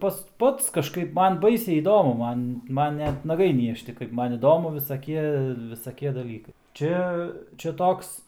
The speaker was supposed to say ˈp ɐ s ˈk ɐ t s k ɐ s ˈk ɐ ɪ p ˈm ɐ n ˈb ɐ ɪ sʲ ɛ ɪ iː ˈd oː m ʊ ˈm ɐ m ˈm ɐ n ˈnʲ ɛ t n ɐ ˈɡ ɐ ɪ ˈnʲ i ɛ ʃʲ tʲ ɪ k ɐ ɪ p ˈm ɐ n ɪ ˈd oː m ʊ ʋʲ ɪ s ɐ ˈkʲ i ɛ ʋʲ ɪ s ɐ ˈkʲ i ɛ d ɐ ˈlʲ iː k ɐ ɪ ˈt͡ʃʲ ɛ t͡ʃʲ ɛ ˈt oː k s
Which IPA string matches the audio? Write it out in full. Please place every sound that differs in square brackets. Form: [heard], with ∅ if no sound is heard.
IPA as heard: ˈp ɐ s [ˈp] ɐ t s k ɐ [ʃ] ˈk ɐ ɪ p ˈm ɐ n ˈb ɐ ɪ sʲ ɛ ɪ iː ˈd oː m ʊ ˈm ɐ [n] ˈm ɐ n ˈnʲ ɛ t n ɐ ˈɡ ɐ ɪ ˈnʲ i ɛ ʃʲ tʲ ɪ k ɐ ɪ p ˈm ɐ n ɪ ˈd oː m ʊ ʋʲ ɪ s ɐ ˈkʲ i ɛ ʋʲ ɪ s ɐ ˈkʲ i ɛ d ɐ ˈlʲ iː k ɐ ɪ ˈt͡ʃʲ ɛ t͡ʃʲ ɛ ˈt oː k s